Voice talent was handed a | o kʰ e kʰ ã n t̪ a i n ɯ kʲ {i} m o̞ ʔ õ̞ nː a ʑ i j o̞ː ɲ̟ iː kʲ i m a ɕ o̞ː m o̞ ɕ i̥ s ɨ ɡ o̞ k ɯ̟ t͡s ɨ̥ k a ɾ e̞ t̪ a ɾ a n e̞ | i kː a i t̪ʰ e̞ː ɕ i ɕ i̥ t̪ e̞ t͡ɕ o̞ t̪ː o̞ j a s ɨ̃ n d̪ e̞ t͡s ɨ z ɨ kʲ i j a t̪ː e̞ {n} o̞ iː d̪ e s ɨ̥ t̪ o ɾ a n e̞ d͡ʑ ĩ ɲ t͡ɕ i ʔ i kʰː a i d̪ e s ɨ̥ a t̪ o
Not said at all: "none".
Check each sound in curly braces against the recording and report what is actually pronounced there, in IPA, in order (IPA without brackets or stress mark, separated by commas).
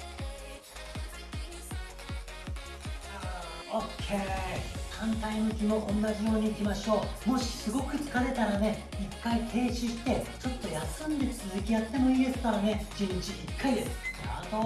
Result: i, m